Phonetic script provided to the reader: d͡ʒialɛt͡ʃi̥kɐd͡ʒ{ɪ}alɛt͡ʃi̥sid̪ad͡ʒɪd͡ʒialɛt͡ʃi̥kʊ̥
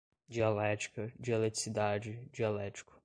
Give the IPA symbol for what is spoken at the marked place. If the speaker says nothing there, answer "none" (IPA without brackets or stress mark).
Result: i